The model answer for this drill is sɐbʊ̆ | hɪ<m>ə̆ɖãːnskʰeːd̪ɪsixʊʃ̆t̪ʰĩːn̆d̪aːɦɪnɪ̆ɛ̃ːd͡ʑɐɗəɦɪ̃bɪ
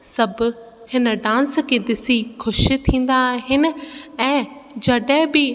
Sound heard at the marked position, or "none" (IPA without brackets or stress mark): n